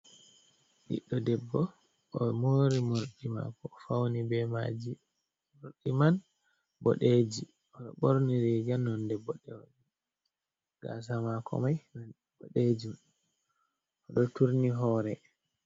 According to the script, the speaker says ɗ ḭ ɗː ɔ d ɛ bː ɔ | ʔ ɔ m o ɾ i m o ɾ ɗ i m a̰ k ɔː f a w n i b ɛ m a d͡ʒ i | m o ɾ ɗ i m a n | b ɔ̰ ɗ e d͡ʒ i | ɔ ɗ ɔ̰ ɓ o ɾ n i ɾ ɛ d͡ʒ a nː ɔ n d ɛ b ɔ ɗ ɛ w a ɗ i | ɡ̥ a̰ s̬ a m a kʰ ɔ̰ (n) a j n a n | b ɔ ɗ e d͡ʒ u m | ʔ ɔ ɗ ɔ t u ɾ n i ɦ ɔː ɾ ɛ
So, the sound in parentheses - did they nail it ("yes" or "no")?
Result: no